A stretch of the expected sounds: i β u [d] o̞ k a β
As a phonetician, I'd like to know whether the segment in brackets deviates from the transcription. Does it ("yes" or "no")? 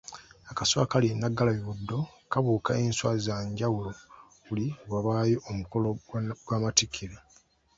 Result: yes